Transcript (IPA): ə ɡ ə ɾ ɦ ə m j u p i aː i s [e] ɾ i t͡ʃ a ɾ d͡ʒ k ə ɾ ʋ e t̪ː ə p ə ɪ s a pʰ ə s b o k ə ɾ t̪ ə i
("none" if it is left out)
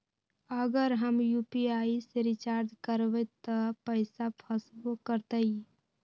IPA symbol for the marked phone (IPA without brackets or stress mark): e